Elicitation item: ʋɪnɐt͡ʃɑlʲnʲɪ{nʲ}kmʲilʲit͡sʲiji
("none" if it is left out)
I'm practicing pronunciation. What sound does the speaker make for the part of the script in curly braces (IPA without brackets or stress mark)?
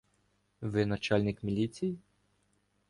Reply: none